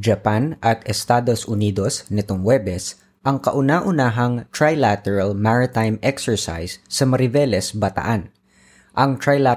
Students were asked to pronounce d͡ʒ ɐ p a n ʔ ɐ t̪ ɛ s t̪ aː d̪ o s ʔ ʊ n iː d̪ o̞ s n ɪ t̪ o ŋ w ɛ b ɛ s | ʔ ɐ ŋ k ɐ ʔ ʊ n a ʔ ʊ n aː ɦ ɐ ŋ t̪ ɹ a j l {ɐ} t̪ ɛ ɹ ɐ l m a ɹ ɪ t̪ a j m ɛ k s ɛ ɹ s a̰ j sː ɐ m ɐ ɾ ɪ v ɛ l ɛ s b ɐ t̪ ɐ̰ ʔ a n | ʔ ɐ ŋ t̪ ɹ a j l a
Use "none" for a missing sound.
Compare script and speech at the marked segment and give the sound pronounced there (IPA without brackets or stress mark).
a